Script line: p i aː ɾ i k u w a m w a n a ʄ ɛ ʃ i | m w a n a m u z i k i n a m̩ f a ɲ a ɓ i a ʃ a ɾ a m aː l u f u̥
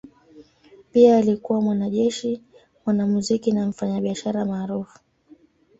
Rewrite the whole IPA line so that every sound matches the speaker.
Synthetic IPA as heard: p i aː l i k u w a m w a n a ʄ ɛ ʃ i | m w a n a m u z i k i n a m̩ f a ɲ a ɓ i a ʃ a ɾ a m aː ɾ u f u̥